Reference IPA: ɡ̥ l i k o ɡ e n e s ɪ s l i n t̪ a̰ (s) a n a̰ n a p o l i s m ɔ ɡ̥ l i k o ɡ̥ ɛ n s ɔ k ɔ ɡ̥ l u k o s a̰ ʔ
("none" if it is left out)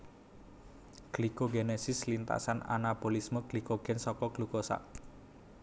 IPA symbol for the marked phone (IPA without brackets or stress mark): s